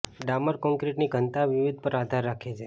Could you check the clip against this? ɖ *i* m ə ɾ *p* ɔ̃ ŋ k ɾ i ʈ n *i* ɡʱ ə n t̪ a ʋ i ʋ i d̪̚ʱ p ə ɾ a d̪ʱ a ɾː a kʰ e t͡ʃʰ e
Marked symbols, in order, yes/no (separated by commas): no, no, yes